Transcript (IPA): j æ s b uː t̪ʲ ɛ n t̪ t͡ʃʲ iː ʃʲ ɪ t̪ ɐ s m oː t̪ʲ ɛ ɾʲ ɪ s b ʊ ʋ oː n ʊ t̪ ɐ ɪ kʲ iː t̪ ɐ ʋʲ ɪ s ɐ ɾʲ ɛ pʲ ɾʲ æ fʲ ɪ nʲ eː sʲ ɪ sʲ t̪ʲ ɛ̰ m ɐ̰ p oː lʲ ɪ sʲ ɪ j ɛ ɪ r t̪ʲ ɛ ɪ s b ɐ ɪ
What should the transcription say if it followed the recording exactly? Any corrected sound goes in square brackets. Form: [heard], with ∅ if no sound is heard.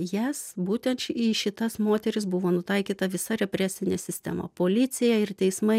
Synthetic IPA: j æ s b uː t̪ʲ ɛ n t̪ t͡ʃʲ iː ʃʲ ɪ t̪ ɐ s m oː t̪ʲ ɛ ɾʲ ɪ s b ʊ ʋ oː n ʊ t̪ ɐ ɪ kʲ iː t̪ ɐ ʋʲ ɪ s ɐ ɾʲ ɛ pʲ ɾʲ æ [sʲ] ɪ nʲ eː sʲ ɪ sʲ t̪ʲ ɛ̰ m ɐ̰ p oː lʲ ɪ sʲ ɪ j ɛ ɪ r t̪ʲ ɛ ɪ s [m] ɐ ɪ